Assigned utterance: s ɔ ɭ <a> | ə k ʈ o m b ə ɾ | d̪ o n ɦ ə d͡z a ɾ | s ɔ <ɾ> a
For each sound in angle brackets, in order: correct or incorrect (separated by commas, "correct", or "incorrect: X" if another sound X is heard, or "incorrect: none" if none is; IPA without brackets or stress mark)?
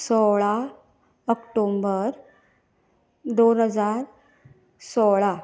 correct, incorrect: ɭ